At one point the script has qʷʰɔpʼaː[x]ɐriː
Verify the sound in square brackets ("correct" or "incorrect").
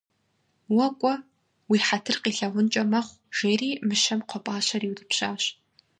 incorrect